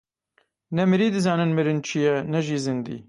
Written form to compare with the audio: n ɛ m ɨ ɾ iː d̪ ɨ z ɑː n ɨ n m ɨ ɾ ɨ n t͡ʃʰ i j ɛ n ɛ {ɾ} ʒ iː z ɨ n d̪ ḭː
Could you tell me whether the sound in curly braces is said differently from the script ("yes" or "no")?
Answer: yes